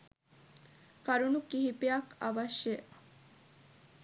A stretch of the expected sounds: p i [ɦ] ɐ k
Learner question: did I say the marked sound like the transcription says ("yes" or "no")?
no